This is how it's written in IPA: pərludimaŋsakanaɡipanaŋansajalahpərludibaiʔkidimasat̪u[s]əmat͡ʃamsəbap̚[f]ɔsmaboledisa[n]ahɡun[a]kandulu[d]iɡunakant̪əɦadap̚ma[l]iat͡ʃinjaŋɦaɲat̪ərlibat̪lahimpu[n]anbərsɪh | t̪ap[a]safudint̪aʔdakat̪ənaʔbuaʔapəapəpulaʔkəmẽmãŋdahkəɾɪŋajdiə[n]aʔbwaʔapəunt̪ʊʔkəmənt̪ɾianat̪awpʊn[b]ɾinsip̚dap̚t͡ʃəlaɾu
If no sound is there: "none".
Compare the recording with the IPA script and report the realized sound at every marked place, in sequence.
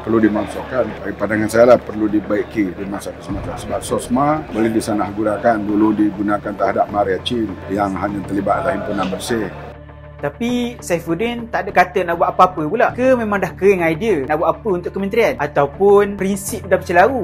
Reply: s, s, n, a, d, ɾ, n, i, n, p

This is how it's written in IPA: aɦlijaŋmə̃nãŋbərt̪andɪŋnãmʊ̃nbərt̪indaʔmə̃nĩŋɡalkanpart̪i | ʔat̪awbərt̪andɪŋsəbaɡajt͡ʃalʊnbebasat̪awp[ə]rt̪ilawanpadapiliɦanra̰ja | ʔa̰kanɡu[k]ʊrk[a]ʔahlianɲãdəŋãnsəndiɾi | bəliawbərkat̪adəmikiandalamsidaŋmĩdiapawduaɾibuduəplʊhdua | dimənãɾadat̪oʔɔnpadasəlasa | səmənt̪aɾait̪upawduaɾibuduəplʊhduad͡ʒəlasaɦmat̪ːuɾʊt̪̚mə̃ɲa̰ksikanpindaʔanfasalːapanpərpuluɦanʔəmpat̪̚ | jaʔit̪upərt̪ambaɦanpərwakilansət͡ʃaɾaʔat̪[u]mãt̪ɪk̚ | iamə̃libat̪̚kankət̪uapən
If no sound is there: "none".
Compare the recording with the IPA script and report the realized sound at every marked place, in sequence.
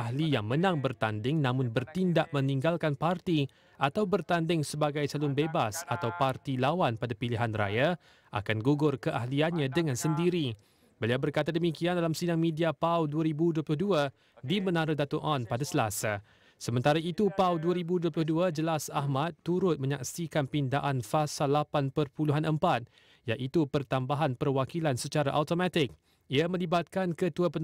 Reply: a, ɡ, ə, o

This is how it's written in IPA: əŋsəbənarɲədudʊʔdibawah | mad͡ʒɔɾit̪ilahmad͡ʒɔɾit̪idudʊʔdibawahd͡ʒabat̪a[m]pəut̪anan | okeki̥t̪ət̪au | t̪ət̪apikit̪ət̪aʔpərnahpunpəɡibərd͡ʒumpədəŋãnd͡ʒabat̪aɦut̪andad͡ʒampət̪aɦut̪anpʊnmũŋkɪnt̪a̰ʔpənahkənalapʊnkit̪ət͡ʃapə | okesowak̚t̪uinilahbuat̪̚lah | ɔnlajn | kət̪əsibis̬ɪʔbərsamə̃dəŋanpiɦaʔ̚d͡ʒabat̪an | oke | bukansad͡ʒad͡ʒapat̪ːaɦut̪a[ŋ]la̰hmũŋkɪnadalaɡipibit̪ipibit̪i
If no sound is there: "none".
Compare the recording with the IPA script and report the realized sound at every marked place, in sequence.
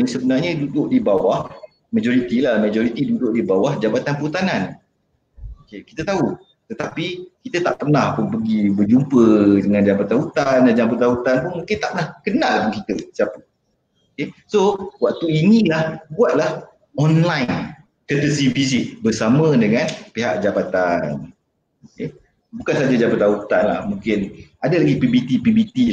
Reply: n, n

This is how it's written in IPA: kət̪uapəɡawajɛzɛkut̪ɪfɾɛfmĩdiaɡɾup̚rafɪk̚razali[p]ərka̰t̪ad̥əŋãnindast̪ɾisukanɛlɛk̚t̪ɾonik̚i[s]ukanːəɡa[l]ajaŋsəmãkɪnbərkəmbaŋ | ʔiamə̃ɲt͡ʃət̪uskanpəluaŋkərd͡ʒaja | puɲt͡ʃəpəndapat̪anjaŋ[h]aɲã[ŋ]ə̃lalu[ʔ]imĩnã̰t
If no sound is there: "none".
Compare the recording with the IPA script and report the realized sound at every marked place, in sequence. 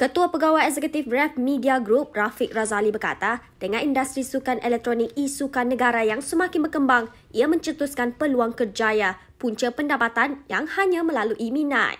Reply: b, s, ɾ, h, m, ʔ

